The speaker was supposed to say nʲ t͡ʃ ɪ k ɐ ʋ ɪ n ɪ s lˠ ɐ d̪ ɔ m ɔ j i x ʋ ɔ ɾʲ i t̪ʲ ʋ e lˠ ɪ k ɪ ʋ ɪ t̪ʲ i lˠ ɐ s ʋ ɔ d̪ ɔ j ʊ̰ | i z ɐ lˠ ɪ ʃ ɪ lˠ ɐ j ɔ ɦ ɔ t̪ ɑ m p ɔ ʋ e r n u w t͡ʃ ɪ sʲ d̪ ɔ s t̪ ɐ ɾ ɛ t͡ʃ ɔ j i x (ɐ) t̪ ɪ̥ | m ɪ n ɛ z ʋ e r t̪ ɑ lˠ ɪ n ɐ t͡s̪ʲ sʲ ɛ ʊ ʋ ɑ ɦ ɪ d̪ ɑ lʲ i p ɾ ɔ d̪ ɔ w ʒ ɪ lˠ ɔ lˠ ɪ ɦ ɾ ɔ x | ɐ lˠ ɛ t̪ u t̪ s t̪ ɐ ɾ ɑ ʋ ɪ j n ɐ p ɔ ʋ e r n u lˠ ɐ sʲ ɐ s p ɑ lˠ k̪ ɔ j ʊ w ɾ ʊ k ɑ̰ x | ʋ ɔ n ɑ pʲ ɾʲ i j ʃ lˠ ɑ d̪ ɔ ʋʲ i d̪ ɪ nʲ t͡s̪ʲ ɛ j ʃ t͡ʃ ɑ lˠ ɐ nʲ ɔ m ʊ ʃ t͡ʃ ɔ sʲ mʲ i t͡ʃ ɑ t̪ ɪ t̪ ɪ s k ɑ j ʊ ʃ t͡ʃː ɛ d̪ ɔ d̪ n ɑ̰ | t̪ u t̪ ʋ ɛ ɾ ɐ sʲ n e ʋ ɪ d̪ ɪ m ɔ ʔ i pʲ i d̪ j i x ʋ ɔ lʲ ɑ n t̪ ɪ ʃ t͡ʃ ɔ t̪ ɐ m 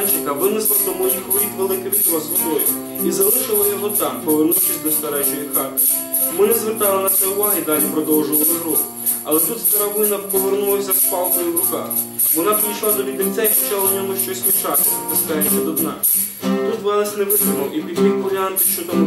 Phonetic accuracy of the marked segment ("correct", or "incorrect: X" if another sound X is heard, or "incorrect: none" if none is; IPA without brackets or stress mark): incorrect: ɑ